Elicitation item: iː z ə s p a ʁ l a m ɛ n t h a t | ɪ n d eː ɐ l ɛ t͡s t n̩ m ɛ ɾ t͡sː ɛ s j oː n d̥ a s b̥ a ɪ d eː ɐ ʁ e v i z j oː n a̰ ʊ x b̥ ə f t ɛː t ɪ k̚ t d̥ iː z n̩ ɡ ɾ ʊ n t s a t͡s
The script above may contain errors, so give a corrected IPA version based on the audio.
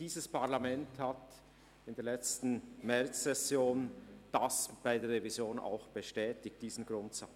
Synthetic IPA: iː z ə s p a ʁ l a m ɛ n t h a t | ɪ n d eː ɐ l ɛ t͡s t n̩ m ɛ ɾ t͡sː ɛ s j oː n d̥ a s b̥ a ɪ d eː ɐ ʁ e v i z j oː n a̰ ʊ x b̥ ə ʃ t ɛː t ɪ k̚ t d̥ iː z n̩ ɡ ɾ ʊ n t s a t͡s